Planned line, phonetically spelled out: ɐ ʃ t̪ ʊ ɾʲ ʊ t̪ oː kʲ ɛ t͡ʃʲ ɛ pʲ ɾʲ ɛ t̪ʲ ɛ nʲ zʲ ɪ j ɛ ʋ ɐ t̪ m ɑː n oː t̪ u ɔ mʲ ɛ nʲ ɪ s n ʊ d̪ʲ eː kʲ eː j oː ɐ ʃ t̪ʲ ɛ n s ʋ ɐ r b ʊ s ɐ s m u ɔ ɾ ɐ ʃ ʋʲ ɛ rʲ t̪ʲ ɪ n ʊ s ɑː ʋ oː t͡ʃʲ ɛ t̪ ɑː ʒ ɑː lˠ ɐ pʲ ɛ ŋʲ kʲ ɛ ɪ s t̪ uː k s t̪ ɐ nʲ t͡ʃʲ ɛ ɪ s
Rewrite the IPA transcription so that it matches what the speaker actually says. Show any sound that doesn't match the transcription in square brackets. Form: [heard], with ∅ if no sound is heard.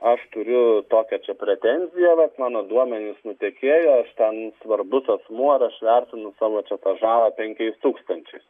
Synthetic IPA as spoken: ɐ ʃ t̪ ʊ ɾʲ ʊ t̪ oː kʲ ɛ t͡ʃʲ ɛ pʲ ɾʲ ɛ t̪ʲ ɛ nʲ zʲ ɪ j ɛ ʋ ɐ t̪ m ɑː n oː [d̪] u ɔ mʲ ɛ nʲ ɪ s n ʊ [t̪ʲ] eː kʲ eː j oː ɐ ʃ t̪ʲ ɛ n s ʋ ɐ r b ʊ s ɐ s m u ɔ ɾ ɐ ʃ ʋʲ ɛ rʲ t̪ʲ ɪ n ʊ s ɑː ʋ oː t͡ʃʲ ɛ t̪ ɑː ʒ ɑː lˠ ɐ pʲ ɛ ŋʲ kʲ ɛ ɪ s t̪ uː k s t̪ ɐ nʲ t͡ʃʲ ɛ ɪ s